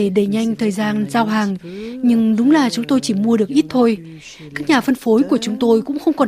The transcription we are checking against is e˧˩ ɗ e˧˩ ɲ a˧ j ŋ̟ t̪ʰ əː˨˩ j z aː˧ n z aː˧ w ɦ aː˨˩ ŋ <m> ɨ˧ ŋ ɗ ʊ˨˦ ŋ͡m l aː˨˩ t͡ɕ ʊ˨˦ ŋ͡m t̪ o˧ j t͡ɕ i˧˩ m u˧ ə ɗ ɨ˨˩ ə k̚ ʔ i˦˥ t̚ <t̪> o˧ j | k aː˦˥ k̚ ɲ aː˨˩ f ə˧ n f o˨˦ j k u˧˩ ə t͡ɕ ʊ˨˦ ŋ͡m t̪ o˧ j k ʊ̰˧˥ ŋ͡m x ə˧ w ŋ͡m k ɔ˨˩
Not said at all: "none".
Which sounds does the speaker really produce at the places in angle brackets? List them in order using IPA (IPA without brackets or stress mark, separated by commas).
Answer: ɲ, t̪ʰ